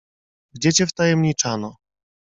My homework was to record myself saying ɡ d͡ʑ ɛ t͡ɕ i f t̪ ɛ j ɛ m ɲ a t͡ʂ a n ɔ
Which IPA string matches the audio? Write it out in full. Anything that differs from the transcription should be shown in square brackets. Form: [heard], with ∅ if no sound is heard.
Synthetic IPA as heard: ɡ d͡ʑ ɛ t͡ɕ [ɛ] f t̪ [a] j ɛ m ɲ [i] t͡ʂ a n ɔ